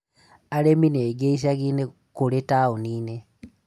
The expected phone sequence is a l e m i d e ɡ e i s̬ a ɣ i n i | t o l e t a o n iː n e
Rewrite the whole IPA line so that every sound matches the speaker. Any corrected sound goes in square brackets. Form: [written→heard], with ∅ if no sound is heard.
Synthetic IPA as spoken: a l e m i [d→n] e ɡ e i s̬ a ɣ i n [i→e] | [t→k] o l e t a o n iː n e

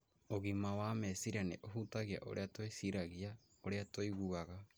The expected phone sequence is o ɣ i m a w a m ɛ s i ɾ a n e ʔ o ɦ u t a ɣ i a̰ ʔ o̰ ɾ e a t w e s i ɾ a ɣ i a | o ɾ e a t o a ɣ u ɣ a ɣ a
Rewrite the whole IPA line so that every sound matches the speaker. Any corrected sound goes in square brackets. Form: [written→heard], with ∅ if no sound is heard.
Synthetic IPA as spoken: o ɣ i m a w a m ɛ s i ɾ a n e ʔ o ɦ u t a ɣ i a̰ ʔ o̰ ɾ e a t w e s i ɾ a ɣ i a | o ɾ e a t o [a→i] ɣ u ɣ a ɣ a

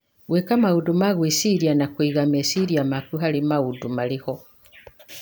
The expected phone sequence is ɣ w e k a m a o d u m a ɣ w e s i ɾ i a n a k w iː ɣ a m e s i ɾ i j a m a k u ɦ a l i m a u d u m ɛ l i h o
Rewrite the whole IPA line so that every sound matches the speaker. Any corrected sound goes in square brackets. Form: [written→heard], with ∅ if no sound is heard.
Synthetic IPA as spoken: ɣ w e k a m a [o→u] d u m a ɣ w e s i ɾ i a n a k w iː ɣ a m e s i ɾ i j a m a k u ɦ a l i m a u d u m [ɛ→a] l i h o

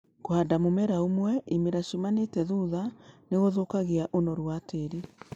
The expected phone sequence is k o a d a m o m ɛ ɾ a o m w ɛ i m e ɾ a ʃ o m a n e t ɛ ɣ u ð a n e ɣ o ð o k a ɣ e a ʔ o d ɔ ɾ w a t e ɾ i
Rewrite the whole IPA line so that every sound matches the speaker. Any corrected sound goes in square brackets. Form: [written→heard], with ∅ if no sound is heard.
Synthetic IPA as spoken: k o a d a m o m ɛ ɾ a o m w ɛ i m e ɾ a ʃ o m a n e t ɛ [ɣ→ð] u ð a n e ɣ o ð o k a ɣ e a ʔ o [d→n] ɔ ɾ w a t e ɾ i

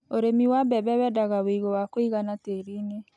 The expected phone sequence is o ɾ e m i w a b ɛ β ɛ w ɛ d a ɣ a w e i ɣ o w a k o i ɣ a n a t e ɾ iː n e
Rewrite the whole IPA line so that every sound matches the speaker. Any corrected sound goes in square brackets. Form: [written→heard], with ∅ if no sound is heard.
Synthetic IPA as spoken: o ɾ e m i w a b ɛ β ɛ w ɛ d a ɣ a w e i ɣ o w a k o i ɣ a n a t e ɾ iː n e

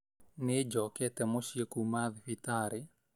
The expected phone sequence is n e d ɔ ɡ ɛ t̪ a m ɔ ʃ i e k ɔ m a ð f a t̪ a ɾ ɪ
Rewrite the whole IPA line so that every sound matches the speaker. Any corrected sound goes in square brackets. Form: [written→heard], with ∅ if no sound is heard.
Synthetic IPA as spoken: n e [d→d͡ʒ] ɔ [ɡ→k] ɛ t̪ [a→ɛ] m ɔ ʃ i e k [ɔ→u] m a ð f [a→i] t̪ a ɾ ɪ

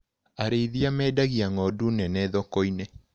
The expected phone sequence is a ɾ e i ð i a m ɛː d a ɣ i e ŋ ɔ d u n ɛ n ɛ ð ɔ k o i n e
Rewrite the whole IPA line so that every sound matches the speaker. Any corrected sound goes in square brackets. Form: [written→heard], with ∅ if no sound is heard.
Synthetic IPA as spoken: a ɾ e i ð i a m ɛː d a ɣ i [e→a] ŋ ɔ d u n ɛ n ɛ ð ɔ k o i n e

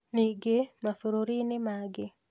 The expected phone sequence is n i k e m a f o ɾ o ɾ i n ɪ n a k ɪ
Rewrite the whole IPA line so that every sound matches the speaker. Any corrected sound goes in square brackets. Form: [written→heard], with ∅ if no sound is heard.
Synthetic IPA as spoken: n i [k→ɡ] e m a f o ɾ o ɾ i n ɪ [n→m] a [k→ɡ] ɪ

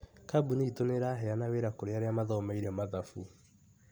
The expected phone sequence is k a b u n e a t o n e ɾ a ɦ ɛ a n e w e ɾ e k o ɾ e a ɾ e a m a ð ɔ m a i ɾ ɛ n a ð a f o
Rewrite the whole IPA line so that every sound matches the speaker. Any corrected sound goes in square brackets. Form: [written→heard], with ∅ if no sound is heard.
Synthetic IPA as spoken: k a b u n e [a→i] t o n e ɾ a ɦ ɛ a n [e→a] w e ɾ [e→a] k o ɾ e a ɾ e a m a ð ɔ m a i ɾ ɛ [n→m] a ð a f [o→u]

